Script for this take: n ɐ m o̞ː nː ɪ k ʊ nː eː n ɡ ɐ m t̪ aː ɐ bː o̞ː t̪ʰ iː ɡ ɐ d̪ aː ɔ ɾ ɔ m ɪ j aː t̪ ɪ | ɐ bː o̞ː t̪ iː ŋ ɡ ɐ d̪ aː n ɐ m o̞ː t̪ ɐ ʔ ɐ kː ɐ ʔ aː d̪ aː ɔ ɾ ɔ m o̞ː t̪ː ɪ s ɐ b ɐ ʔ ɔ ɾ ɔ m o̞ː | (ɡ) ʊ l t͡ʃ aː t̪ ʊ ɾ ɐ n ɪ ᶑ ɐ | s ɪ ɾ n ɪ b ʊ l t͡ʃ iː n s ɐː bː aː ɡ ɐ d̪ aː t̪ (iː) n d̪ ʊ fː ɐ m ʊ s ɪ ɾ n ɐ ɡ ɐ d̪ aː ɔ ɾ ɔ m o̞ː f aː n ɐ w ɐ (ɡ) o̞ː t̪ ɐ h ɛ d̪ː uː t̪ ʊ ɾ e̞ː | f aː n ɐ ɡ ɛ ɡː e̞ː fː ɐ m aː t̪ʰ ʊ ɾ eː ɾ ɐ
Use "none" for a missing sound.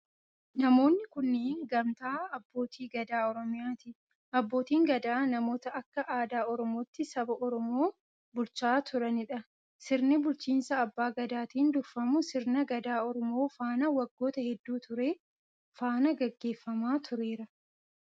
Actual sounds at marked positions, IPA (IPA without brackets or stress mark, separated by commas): b, iː, ɡː